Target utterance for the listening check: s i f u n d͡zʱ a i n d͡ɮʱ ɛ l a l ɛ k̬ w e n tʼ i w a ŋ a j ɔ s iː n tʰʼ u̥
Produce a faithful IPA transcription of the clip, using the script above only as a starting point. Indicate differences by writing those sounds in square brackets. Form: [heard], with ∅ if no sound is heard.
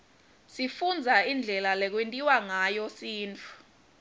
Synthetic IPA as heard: s i f u n d͡zʱ a i n d͡ɮʱ ɛ l a l ɛ k̬ w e n tʼ i w a ŋ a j ɔ s iː n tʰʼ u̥